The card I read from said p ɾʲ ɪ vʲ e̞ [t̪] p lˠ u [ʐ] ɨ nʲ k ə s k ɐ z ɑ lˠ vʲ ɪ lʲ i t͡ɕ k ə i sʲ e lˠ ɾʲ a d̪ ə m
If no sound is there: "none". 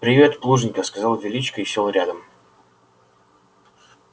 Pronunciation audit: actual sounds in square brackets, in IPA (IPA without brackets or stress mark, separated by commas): t̪, ʐ